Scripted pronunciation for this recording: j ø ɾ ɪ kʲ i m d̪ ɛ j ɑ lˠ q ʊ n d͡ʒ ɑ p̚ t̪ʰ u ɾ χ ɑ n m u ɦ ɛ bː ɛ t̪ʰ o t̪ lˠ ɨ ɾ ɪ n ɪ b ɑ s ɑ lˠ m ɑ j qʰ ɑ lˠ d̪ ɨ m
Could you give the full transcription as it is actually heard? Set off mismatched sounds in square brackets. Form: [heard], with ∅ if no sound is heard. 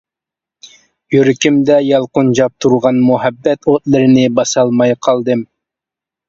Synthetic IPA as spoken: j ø ɾ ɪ kʲ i m d̪ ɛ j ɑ lˠ q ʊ n d͡ʒ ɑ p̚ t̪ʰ u ɾ [ʁ] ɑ n m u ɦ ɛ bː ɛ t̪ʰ o t̪ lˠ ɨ ɾ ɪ n ɪ b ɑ s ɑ lˠ m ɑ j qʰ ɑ lˠ d̪ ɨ m